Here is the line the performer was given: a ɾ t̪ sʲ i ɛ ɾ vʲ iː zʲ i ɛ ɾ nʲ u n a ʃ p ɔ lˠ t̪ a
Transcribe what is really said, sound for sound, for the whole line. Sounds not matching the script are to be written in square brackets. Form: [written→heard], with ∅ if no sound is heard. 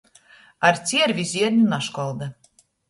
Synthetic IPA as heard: a ɾ t̪ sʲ i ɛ ɾ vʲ [iː→i] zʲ i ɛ ɾ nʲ u n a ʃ [p→k] ɔ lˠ [t̪→d̪] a